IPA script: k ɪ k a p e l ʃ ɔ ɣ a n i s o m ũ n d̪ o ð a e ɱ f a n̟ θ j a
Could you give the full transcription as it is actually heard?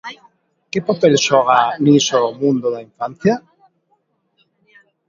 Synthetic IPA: k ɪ p a p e l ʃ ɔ ɣ a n i s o m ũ n d̪ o ð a i ɱ f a n̟ θ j a